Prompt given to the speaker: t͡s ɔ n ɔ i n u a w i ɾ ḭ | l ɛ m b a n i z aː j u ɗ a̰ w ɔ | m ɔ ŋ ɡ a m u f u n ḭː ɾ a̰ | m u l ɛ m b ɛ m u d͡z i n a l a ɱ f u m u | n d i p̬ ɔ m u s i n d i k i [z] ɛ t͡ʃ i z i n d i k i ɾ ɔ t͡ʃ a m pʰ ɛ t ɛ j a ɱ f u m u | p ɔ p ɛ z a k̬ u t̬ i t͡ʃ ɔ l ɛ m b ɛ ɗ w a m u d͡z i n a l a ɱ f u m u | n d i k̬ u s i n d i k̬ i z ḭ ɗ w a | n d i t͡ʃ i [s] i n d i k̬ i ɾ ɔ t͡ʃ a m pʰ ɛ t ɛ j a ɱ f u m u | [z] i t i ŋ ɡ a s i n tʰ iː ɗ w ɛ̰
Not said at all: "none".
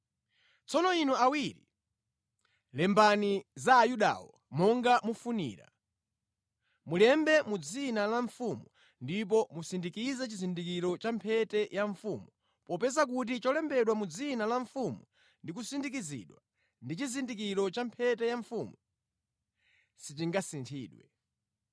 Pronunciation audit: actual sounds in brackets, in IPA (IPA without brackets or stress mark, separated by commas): z, z, s